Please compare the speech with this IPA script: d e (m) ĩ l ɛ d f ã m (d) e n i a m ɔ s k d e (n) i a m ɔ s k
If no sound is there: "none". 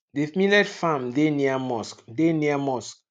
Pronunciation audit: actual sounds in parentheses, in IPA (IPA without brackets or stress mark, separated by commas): m, d, n